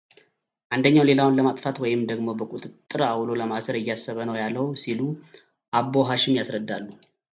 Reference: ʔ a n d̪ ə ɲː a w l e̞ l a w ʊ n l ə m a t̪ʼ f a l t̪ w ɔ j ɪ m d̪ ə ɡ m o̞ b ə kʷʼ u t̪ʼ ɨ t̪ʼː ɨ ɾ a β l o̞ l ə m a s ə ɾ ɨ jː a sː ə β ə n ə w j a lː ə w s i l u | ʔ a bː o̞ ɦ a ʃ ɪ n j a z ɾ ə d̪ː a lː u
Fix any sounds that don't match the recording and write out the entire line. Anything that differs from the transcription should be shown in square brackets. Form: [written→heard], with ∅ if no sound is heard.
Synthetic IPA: ʔ a n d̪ ə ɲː a w l e̞ l a w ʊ n l ə m a t̪ʼ f a [l→∅] t̪ w ɔ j ɪ m d̪ ə ɡ m o̞ b ə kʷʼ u t̪ʼ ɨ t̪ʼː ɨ ɾ a [β→w] l o̞ l ə m a s ə ɾ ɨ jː a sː ə β ə n ə w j a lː ə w s i l u | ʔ a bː o̞ ɦ a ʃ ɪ [n→m] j a [z→s] ɾ ə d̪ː a lː u